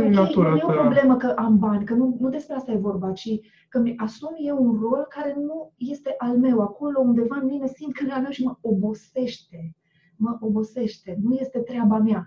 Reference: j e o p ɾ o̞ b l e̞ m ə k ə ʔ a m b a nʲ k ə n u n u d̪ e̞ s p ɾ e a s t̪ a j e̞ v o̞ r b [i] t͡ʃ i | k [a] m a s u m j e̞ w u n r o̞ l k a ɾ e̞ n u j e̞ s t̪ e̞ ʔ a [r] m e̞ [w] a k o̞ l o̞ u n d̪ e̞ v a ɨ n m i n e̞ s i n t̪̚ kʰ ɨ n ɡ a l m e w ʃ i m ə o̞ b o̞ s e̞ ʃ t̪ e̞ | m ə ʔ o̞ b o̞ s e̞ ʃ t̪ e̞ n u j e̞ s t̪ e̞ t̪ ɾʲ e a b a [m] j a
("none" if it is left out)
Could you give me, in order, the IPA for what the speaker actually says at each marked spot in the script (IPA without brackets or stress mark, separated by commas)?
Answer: a, ə, l, w, m